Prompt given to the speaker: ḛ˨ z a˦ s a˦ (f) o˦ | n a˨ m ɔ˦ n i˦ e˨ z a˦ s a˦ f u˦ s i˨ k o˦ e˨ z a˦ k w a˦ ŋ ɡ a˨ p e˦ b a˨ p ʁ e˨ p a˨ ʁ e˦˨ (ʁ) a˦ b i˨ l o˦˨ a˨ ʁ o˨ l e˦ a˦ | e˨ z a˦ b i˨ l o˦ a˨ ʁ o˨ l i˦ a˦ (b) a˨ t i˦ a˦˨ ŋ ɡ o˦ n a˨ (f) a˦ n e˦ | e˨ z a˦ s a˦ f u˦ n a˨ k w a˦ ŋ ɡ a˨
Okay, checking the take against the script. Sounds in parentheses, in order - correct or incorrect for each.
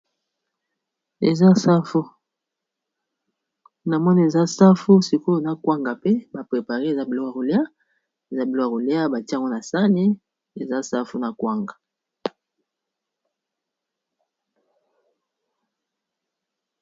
correct, incorrect: z, correct, incorrect: s

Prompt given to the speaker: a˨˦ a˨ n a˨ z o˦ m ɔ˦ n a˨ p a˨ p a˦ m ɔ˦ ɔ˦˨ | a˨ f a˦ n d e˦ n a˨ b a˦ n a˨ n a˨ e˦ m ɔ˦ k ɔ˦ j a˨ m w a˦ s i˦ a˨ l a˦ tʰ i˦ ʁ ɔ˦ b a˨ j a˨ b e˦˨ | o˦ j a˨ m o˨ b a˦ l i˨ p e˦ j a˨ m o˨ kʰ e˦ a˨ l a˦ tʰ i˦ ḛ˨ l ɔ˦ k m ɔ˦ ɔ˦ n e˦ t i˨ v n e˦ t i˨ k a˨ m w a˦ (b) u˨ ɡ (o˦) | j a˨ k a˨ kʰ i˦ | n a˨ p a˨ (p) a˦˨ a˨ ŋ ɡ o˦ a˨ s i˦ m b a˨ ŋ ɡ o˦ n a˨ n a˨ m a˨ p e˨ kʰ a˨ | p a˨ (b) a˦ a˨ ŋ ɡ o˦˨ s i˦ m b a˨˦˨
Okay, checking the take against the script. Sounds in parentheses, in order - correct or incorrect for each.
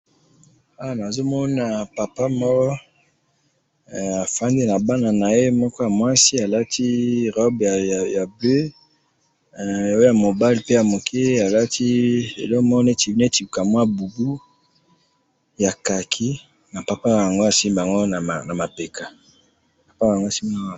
correct, incorrect: u˦, correct, incorrect: p

